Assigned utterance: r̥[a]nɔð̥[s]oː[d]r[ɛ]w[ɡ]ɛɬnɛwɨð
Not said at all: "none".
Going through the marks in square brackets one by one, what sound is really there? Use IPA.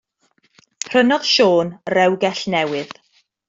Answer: ə, ʃ, n, ɛ, ɡ

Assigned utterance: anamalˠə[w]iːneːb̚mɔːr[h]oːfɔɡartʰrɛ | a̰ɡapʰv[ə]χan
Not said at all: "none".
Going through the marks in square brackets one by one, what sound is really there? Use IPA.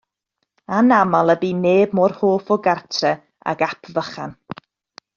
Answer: b, h, ə

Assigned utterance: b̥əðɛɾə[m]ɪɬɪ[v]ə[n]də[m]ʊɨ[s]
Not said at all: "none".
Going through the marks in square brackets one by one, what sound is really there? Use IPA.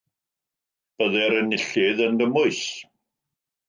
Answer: n, ð, n, m, s

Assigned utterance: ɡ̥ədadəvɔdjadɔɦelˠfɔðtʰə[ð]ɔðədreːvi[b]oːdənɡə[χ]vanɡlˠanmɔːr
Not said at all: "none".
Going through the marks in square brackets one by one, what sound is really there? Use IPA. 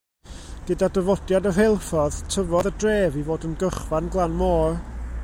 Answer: v, v, χ

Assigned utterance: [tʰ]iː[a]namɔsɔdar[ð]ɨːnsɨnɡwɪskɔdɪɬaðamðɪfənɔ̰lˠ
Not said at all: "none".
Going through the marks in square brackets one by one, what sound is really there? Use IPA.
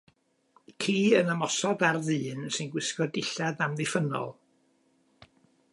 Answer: kʰ, ə, ð

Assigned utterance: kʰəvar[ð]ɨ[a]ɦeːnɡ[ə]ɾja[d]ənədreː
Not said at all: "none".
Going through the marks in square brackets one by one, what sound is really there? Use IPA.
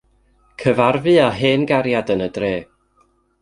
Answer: v, a, a, d

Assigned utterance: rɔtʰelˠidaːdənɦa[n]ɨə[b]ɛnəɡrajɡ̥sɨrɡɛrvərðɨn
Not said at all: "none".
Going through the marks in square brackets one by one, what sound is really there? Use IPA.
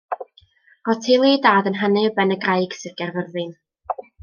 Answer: n, b

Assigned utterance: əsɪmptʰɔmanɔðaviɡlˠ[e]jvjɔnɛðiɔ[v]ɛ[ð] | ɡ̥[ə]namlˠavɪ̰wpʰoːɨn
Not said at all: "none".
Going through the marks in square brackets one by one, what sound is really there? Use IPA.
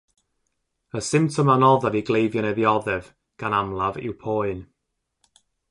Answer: e, ð, v, a

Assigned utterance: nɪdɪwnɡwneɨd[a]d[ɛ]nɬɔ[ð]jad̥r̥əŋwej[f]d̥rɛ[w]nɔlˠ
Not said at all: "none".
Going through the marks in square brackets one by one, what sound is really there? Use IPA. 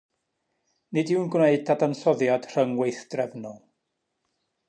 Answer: a, a, ð, θ, v

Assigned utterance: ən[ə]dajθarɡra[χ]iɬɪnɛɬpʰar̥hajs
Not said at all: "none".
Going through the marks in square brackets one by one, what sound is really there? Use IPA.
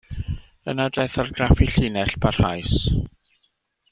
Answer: a, f

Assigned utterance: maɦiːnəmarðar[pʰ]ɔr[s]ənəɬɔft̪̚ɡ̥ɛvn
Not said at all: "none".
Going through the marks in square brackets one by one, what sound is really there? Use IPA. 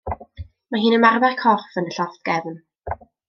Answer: kʰ, f

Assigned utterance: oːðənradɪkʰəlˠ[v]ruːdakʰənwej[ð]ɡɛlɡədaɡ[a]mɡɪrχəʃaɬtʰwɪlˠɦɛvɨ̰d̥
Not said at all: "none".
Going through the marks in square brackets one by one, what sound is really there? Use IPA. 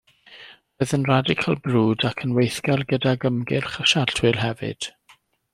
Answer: b, θ, ə

